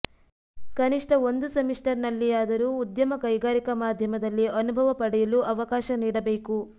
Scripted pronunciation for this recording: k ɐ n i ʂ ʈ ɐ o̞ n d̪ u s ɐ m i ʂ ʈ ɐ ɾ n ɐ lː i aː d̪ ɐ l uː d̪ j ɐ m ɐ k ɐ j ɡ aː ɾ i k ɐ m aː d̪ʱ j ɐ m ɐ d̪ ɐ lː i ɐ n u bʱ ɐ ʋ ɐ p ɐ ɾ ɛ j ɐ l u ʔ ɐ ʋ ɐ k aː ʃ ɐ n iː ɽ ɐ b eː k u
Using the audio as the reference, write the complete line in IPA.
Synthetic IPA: k ɐ n i ʂ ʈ ɐ o̞ n d̪ u s ɐ m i ʂ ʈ ɐ ɾ n ɐ lː i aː d̪ ɐ ɾ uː d̪ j ɐ m ɐ k ɐ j ɡ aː ɾ i k ɐ m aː d̪ʱ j ɐ m ɐ d̪ ɐ lː i ɐ n u bʱ ɐ ʋ ɐ p ɐ ɽ ɛ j ɐ l u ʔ ɐ ʋ ɐ k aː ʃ ɐ n iː ɽ ɐ b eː k u